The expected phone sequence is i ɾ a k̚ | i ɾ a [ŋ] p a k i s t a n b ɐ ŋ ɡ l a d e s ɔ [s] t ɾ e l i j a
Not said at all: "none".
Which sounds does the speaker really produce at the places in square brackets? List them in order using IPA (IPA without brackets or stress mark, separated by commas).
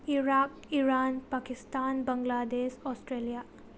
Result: n, s